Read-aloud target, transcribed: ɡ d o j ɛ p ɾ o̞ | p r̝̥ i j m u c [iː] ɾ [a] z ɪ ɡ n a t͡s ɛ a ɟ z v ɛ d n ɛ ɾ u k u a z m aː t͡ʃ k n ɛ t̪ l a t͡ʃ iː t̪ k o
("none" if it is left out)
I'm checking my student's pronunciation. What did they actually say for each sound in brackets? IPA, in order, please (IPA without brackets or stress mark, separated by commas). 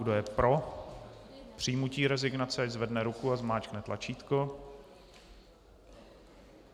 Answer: iː, ɛ